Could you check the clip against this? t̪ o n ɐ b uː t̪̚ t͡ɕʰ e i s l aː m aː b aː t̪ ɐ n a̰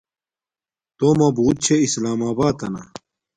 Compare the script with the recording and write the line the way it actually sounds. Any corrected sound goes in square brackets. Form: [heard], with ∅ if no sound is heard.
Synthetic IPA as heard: t̪ o [m] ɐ b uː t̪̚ t͡ɕʰ e i s l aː m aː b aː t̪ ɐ n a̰

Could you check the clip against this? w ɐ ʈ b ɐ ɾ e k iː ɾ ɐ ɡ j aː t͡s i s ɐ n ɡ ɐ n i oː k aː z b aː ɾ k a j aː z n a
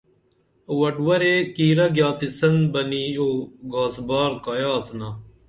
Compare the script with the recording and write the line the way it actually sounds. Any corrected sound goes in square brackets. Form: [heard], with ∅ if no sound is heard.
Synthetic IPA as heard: w ɐ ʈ [w] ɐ ɾ e k iː ɾ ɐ ɡ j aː t͡s i s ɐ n [b] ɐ n i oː [ɡ] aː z b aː ɾ k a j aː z n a

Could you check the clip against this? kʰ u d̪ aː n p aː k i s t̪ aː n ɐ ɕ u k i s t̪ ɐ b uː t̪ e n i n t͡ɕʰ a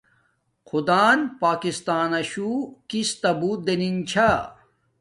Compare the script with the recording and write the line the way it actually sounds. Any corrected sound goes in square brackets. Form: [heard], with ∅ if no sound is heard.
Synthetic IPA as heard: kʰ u d̪ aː n p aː k i s t̪ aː n ɐ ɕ u k i s t̪ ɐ b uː [d̪] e n i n t͡ɕʰ a

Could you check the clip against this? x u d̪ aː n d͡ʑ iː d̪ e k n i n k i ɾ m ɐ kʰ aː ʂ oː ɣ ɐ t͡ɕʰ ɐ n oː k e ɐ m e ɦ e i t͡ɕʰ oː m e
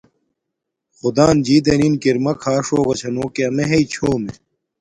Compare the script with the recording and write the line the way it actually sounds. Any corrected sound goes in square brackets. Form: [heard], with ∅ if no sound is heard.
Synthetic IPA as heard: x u d̪ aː n d͡ʑ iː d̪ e [∅] n i n k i ɾ m ɐ kʰ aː ʂ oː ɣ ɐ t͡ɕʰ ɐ n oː k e ɐ m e ɦ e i t͡ɕʰ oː m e

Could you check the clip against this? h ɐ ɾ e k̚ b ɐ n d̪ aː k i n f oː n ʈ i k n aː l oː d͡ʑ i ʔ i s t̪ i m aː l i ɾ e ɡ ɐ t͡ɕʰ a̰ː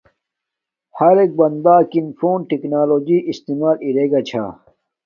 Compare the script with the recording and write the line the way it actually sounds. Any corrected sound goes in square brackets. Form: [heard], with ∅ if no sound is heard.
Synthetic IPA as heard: h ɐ ɾ e k̚ b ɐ n d̪ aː k i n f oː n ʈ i k n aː l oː d͡ʑ i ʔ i s t̪ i m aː l i ɾ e ɡ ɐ t͡ɕʰ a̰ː

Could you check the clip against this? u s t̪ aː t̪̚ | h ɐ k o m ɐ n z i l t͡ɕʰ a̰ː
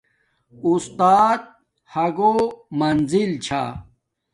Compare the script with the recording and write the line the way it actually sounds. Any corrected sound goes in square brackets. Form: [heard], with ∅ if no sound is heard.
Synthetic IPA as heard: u s t̪ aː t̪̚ | h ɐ [ɡ] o m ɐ n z i l t͡ɕʰ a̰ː

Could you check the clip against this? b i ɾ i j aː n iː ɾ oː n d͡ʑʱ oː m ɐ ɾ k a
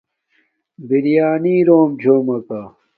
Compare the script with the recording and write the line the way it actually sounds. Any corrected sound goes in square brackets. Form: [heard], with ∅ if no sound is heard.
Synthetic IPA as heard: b i ɾ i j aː n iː ɾ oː [m] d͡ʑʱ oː m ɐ [∅] k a

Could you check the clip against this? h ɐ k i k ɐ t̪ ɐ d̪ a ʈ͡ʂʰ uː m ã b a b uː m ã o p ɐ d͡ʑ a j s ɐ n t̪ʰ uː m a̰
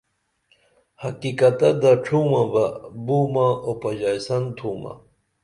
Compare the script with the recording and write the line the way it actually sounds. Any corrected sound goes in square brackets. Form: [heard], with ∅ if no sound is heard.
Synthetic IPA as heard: h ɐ k i k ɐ t̪ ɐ d̪ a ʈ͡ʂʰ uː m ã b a b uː m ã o p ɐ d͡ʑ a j s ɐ n t̪ʰ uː m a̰

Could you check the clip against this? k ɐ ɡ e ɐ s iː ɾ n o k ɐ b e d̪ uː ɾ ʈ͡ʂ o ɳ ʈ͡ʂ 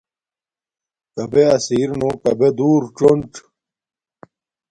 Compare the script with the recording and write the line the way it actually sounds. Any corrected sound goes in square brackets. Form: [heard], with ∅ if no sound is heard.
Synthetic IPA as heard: k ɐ [b] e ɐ s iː ɾ n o k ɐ b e d̪ uː ɾ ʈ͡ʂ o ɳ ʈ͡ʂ

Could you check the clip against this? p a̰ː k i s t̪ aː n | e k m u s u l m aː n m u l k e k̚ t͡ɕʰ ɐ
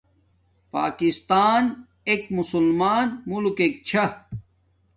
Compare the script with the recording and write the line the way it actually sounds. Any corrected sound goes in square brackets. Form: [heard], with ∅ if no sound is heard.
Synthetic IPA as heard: p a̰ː k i s t̪ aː n | e k m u s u l m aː n m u l k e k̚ t͡ɕʰ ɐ

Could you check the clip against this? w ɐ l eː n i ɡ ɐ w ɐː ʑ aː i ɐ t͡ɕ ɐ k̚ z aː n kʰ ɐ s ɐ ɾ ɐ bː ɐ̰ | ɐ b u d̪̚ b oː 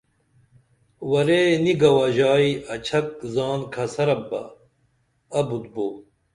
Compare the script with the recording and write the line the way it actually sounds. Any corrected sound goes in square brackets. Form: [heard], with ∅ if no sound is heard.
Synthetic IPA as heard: w ɐ [ɾ] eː n i ɡ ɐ w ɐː ʑ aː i ɐ [t͡ɕʰ] ɐ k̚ z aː n kʰ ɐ s ɐ ɾ ɐ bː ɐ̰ | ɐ b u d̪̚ b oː

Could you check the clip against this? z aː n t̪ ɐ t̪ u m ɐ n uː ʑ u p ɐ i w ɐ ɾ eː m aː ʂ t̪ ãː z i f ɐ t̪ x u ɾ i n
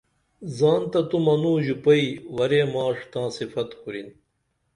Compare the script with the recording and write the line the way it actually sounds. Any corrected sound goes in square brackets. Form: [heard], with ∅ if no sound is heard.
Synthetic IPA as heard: z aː n t̪ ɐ t̪ u m ɐ n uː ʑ u p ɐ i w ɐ ɾ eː m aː ʂ t̪ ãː [s] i f ɐ t̪ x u ɾ i n

